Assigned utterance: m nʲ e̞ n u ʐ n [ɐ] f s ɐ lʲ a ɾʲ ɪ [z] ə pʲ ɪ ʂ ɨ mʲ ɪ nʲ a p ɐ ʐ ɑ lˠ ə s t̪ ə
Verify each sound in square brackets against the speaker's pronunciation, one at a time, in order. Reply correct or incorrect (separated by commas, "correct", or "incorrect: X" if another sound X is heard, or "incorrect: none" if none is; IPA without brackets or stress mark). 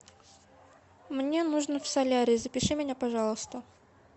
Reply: incorrect: ə, correct